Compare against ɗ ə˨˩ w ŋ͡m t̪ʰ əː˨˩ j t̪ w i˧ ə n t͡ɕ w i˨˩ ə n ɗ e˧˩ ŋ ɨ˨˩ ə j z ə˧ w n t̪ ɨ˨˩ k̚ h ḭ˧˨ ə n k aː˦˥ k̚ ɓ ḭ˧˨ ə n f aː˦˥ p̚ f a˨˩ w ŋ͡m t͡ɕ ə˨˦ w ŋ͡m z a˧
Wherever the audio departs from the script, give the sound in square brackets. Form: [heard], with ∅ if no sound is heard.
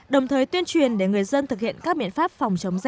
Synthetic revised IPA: ɗ ə˨˩ w ŋ͡m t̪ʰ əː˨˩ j t̪ w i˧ ə n t͡ɕ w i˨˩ ə n ɗ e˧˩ ŋ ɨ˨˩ ə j z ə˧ [∅] n t̪ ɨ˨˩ k̚ h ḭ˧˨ ə n k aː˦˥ k̚ ɓ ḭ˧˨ ə n f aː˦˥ p̚ f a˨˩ w ŋ͡m t͡ɕ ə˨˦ w ŋ͡m z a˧